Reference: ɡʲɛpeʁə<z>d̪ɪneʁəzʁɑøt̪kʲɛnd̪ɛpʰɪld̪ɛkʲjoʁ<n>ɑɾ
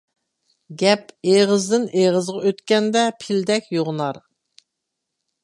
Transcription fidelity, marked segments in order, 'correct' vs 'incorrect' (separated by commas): correct, correct